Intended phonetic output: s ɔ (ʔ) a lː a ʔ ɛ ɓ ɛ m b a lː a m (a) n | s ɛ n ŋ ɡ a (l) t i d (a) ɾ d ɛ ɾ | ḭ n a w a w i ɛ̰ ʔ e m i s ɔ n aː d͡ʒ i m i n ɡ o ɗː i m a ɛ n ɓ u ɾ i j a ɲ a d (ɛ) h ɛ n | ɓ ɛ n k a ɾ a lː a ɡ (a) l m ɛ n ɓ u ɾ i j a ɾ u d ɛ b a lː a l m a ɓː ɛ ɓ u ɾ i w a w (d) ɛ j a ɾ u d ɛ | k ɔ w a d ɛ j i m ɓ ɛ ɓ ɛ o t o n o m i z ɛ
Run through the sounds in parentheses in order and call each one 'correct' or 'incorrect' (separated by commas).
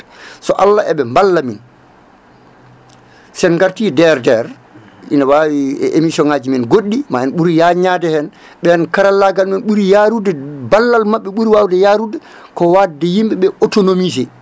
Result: correct, incorrect, incorrect, incorrect, correct, correct, correct